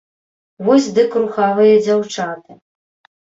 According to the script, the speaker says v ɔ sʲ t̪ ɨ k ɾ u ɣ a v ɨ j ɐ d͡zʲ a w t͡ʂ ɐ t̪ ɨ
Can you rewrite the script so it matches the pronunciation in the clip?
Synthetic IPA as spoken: v ɔ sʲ d̪ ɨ k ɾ u x a v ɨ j ɐ d͡zʲ a w t͡ʂ a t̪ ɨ

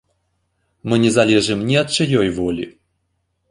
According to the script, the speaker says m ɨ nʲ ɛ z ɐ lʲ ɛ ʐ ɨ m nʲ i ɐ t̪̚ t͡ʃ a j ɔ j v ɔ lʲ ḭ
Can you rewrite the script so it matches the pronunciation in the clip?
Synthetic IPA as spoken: m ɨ nʲ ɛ z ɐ lʲ ɛ ʐ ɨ m nʲ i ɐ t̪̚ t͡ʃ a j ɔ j v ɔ lʲ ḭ

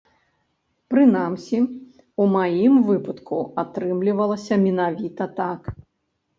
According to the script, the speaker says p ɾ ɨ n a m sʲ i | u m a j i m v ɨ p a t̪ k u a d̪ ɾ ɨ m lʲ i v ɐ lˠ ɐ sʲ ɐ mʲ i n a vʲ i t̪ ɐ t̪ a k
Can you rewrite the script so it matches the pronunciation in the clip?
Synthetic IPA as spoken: p ɾ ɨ n a m sʲ i | u m a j i m v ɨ p ɐ t̪ k u a t̪ ɾ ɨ m lʲ i v ɐ lˠ ɐ sʲ ɐ mʲ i n a vʲ i t̪ ɐ t̪ a k

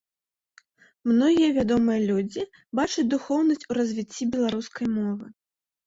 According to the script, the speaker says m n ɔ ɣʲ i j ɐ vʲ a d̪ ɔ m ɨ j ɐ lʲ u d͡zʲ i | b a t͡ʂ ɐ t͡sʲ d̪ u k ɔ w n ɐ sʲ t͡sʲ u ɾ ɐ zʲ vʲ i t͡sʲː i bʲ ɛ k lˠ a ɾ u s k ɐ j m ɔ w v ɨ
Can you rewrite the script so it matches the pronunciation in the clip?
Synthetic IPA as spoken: m n ɔ ɣʲ i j ɐ vʲ a d̪ ɔ m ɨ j ɐ lʲ u d͡zʲ i | b a t͡ʂ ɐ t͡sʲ d̪ u x ɔ w n ɐ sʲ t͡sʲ u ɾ ɐ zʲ vʲ i t͡sʲː i bʲ ɛ lˠ a ɾ u s k ɐ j m ɔ v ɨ

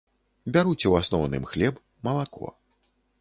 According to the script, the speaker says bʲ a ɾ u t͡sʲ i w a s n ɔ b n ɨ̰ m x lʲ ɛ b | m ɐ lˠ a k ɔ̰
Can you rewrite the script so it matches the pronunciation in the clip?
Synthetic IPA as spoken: bʲ a ɾ u t͡sʲ ɛ w a s n ɔ w n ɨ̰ m x lʲ ɛ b | m ɐ lˠ a k ɔ̰

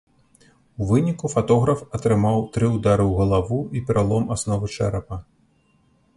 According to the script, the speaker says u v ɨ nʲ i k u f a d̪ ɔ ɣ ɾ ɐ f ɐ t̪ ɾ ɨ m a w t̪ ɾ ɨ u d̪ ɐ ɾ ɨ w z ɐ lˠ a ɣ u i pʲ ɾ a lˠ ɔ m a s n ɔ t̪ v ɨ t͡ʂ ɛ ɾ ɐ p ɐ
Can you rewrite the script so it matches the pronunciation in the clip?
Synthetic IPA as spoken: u v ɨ nʲ i k u f a t̪ ɔ ɣ ɾ ɐ f ɐ t̪ ɾ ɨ m a w t̪ ɾ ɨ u d̪ a ɾ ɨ w ɣ ɐ lˠ a v u i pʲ ɾ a lˠ ɔ m a s n ɔ v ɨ t͡ʂ ɛ ɾ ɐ p ɐ

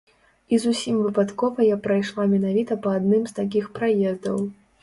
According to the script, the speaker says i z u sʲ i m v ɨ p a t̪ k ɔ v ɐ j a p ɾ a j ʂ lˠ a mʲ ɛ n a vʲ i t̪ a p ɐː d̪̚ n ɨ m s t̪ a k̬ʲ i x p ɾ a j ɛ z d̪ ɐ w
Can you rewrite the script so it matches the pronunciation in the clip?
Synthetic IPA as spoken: i z u sʲ i m v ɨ p a t̪ k ɔ v ɐ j a p ɾ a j ʂ lˠ a mʲ ɛ n a vʲ i t̪ ɐ p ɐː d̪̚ n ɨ m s t̪ a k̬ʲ i x p ɾ a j ɛ z d̪ ɐ w

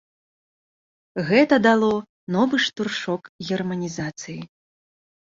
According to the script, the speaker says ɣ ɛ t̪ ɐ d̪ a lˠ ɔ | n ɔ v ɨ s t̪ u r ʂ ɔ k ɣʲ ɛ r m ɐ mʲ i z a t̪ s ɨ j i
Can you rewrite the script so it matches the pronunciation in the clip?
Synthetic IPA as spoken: ɣ ɛ t̪ ɐ d̪ a lˠ ɔ | n ɔ v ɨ ʂ t̪ u r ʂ ɔ k ɣʲ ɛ r m ɐ nʲ i z a t̪ s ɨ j i

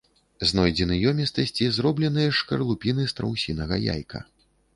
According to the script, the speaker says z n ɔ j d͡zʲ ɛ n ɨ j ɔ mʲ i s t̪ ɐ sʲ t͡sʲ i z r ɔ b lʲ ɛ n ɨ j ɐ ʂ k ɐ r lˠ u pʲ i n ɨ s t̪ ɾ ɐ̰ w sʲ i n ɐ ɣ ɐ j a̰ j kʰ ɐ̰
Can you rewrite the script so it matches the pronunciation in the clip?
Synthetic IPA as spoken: z n ɔ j d͡zʲ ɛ n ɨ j ɔ mʲ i s t̪ ɐ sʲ t͡sʲ i z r ɔ b lʲ ɛ n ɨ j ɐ ʂ k ɐ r lˠ u pʲ i n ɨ s t̪ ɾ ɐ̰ w sʲ i n ɐ ɣ ɐ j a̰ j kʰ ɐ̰

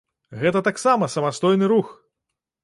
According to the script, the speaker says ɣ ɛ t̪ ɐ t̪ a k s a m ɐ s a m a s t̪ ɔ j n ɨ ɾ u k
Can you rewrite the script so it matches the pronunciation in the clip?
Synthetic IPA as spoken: ɣ ɛ t̪ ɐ t̪ a k s a m ɐ s ɐ m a s t̪ ɔ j n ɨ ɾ u x

